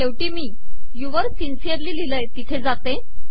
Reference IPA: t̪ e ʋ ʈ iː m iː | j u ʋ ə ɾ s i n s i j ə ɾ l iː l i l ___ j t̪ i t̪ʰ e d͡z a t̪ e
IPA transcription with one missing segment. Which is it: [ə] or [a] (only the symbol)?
ə